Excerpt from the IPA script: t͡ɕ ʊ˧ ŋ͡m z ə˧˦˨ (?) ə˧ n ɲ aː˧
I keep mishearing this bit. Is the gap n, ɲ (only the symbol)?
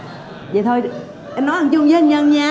ɲ